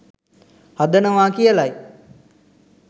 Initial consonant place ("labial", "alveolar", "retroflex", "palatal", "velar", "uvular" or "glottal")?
glottal